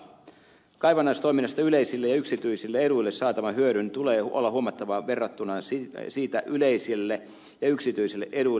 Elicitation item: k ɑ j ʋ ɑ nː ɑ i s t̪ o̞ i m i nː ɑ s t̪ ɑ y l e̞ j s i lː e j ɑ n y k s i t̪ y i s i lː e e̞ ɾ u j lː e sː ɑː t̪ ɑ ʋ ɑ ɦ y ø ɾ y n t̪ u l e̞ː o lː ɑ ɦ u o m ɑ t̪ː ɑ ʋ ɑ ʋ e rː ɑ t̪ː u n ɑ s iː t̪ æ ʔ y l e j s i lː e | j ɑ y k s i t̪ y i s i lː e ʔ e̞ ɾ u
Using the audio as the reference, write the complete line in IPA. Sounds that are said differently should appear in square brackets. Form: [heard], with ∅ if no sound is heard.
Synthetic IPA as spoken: k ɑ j ʋ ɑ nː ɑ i s t̪ o̞ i m i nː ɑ s t̪ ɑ y l e̞ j s i lː e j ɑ [∅] y k s i t̪ y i s i lː e e̞ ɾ u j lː e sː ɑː t̪ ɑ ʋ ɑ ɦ y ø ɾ y n t̪ u l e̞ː o lː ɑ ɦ u o m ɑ t̪ː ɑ ʋ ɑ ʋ e rː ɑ t̪ː u n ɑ s iː t̪ æ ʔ y l e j s i lː e | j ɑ y k s i t̪ y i s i lː e ʔ e̞ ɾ u